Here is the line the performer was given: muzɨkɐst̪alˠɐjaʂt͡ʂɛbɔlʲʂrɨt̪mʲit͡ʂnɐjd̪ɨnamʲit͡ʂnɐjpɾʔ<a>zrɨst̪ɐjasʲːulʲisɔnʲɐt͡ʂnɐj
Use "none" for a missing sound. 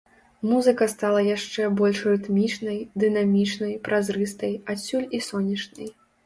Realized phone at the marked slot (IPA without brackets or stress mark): a